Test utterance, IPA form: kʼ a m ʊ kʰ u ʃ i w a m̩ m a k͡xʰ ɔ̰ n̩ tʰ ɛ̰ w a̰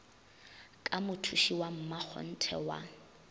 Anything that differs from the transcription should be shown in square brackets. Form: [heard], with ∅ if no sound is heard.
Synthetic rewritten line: kʼ a m ʊ [tʰ] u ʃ i w a m̩ m a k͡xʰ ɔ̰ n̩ tʰ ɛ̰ w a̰

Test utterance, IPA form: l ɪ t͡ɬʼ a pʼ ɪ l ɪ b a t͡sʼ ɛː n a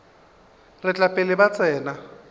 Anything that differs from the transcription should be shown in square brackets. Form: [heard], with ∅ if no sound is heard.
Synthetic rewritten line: [r] ɪ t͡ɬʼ a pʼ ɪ l ɪ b a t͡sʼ ɛː n a

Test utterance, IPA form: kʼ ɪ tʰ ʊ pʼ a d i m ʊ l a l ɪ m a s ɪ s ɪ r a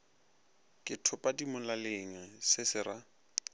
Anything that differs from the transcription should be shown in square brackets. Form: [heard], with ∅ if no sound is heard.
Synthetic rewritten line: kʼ ɪ tʰ ʊ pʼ a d i m ʊ l a l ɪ [ŋ] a s ɪ s ɪ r a

